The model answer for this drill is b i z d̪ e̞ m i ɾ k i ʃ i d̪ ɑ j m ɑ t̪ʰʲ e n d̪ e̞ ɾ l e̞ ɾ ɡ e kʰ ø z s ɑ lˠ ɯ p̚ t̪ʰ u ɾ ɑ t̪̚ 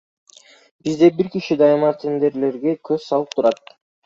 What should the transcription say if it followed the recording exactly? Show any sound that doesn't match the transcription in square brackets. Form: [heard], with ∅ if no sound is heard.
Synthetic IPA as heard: b i z d̪ e̞ [b] i ɾ k i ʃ i d̪ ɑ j m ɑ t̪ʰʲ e n d̪ e̞ ɾ l e̞ ɾ ɡ e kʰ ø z s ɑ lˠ ɯ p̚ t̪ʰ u ɾ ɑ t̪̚